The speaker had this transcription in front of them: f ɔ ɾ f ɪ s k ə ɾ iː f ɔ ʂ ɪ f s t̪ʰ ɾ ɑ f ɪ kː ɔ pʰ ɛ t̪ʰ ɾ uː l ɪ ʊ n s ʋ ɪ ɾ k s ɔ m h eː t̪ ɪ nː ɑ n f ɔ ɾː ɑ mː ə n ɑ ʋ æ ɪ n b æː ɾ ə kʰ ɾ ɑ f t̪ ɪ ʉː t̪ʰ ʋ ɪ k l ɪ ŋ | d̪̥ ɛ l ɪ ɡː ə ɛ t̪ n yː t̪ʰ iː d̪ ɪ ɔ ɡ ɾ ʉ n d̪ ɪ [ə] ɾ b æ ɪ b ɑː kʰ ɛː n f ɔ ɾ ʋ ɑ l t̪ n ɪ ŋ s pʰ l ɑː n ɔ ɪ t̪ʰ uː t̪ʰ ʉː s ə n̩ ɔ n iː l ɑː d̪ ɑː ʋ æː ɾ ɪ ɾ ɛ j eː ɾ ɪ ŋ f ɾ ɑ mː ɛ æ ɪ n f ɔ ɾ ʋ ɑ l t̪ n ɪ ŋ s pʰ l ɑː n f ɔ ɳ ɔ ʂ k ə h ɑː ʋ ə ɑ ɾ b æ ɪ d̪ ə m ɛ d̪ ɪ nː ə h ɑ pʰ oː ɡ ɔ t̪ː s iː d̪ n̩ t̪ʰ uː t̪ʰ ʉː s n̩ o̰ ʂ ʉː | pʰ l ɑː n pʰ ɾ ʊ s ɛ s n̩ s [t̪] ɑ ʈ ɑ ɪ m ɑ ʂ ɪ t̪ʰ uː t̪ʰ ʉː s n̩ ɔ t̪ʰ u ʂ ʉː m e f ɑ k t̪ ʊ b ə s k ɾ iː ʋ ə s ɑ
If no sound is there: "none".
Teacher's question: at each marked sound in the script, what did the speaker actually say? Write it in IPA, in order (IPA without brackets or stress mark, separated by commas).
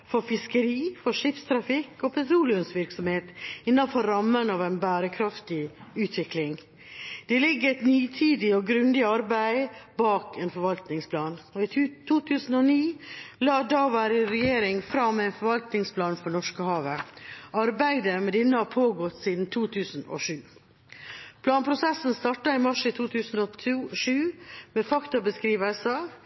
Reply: ɑ, t̪